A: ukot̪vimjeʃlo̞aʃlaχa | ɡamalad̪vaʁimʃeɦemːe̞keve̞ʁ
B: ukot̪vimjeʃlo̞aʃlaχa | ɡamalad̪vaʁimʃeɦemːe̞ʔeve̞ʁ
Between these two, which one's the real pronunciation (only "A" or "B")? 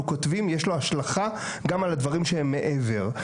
B